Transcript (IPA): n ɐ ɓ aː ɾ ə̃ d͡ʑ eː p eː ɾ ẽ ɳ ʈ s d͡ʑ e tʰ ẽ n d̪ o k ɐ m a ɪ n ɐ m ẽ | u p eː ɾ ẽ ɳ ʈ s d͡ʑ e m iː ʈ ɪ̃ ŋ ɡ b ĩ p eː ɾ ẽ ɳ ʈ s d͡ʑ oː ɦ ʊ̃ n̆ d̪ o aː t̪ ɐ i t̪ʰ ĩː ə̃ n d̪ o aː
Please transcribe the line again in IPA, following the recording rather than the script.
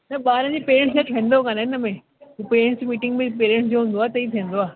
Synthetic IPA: n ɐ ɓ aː ɾ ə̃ d͡ʑ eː p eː ɾ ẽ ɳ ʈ s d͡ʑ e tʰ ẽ n d̪ o k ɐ n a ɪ n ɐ m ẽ | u p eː ɾ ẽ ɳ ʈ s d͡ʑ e m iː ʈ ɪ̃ ŋ ɡ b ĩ p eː ɾ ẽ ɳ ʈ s d͡ʑ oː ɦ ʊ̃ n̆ d̪ o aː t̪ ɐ i t̪ʰ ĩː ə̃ n d̪ o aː

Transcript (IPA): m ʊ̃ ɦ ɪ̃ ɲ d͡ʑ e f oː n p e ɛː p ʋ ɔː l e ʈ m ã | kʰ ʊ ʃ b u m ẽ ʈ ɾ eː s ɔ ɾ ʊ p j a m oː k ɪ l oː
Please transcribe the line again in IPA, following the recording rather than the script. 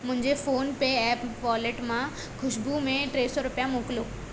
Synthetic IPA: m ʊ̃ ɦ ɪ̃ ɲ d͡ʑ e f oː n p e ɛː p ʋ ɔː l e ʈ m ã | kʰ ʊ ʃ b u m ẽ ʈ ɾ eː s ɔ ɾ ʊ p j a m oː k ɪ l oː

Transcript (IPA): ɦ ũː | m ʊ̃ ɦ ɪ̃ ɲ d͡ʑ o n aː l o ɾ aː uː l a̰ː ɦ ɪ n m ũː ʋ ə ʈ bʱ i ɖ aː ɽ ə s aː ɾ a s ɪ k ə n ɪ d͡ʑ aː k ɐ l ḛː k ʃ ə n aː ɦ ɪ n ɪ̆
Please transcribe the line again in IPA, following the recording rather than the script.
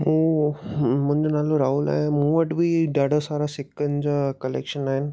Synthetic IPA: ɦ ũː | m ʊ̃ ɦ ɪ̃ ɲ d͡ʑ o n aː l o ɾ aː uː l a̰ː ɦ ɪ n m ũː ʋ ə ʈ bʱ i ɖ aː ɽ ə s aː ɾ a s ɪ k ə n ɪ d͡ʑ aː k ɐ l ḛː k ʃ ə n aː ɦ ɪ n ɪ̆

